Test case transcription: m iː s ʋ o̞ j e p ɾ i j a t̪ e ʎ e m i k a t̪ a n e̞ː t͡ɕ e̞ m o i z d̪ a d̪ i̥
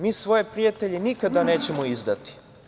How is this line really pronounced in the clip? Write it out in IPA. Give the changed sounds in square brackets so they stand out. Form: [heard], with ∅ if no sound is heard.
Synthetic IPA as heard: m iː s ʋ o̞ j e p ɾ i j a t̪ e ʎ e [n] i k a [d̪] a n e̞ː t͡ɕ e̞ m o i z d̪ a [t̪] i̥